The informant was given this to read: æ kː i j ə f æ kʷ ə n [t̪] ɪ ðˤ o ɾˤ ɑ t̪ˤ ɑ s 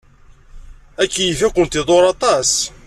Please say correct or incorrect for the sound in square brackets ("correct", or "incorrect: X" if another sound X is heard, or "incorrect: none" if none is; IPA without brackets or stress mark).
correct